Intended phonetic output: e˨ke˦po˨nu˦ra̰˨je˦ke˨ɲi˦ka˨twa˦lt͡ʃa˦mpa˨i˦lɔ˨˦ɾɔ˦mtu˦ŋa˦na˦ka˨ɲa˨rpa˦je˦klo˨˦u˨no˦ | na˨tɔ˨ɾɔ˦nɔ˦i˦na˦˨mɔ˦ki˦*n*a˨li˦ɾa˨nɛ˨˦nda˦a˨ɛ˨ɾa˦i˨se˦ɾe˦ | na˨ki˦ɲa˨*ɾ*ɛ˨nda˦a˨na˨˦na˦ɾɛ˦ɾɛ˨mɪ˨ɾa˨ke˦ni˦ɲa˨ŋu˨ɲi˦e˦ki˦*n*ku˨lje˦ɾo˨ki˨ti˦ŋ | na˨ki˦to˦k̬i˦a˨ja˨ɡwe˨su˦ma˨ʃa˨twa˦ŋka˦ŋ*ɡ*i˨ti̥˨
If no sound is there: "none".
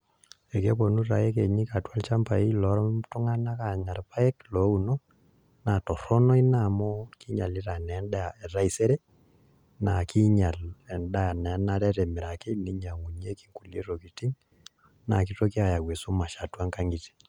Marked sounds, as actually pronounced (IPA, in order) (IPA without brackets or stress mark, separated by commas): ɲ, l, ŋ, ɡ